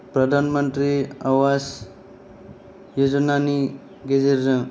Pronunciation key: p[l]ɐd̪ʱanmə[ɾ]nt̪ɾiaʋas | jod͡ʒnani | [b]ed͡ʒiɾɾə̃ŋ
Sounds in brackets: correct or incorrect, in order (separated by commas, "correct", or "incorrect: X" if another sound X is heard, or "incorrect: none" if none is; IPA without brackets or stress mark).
incorrect: ɾ, incorrect: none, incorrect: ɡ